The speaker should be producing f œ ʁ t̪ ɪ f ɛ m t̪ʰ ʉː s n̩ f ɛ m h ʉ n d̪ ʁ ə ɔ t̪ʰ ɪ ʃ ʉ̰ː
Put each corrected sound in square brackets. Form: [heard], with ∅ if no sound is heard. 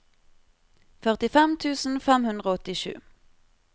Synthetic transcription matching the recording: f œ ʁ t̪ ɪ f ɛ m t̪ʰ ʉː s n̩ f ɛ m h ʉ n d̪ ʁ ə ɔ [t̪] ɪ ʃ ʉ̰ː

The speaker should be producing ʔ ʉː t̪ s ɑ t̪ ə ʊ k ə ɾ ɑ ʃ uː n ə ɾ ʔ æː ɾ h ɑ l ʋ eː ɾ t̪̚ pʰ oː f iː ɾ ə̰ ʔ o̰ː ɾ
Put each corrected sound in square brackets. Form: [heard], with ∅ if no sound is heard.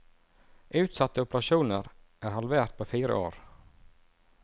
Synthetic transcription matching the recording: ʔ ʉː t̪ s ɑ t̪ ə ʊ [p] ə ɾ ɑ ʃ uː n ə ɾ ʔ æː ɾ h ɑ l ʋ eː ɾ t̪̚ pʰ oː f iː ɾ ə̰ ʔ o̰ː ɾ

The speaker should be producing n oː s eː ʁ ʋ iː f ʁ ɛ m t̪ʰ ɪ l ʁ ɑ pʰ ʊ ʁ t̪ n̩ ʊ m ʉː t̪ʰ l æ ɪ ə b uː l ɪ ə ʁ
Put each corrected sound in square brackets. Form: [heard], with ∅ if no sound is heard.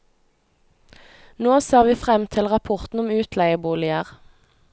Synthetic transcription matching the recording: n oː s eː ʁ ʋ iː f ʁ ɛ m t̪ʰ ɪ l ʁ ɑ pʰ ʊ ʁ t̪ n̩ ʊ m ʉː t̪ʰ l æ ɪ ə b uː l ɪ ə ʁ

